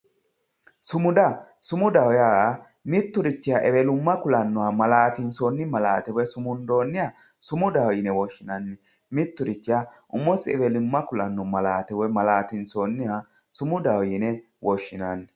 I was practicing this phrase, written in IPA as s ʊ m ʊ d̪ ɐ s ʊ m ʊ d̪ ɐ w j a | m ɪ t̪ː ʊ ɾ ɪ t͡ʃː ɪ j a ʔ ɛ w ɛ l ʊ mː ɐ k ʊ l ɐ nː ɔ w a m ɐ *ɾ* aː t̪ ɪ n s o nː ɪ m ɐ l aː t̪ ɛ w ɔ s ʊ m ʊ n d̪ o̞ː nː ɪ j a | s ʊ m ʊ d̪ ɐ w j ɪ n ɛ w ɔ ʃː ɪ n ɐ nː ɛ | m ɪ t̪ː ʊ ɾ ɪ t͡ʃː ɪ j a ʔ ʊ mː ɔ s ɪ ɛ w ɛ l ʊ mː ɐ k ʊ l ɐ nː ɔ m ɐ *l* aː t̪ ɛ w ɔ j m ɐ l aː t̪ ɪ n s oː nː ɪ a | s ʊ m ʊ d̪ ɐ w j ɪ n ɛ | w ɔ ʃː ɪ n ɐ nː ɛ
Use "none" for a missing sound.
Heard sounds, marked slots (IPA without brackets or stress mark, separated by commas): l, l